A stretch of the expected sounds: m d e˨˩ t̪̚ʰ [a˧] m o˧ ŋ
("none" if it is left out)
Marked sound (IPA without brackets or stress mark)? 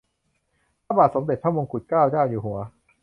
a˥˩